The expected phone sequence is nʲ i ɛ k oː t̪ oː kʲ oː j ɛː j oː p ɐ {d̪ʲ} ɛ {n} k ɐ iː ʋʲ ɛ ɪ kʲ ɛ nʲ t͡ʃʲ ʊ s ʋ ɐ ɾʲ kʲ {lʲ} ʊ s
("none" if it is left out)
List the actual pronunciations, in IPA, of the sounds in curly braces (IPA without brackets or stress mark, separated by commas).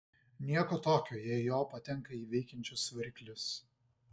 t̪ʲ, ŋ, lʲ